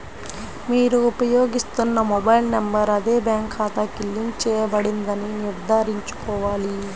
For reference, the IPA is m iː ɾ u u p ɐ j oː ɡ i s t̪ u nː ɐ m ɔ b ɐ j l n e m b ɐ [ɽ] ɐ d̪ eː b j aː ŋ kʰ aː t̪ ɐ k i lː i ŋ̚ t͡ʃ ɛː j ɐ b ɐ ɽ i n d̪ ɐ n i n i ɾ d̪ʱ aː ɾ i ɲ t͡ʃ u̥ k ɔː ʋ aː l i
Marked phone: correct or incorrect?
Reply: incorrect